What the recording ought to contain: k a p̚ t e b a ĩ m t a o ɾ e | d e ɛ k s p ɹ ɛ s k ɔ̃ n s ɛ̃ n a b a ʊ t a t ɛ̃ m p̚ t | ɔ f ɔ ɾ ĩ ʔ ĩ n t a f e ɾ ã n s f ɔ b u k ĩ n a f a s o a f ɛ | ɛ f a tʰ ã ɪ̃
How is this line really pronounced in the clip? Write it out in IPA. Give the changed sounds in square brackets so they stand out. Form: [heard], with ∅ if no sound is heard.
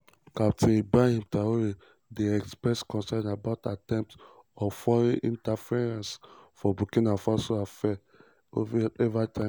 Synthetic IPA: k a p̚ t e b a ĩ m t a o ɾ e | d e ɛ k s p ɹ ɛ s k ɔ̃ n s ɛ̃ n a b a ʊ t a t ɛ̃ m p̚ t | ɔ f ɔ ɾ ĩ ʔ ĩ n t a f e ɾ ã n s f ɔ b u k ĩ n a f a s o a f ɛ | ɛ [v] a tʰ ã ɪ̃